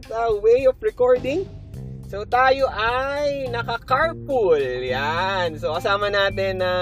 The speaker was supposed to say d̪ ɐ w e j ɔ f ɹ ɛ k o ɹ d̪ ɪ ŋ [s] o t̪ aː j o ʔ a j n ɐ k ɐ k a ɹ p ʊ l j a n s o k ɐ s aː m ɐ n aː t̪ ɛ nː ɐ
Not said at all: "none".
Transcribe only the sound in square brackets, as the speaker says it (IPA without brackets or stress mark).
s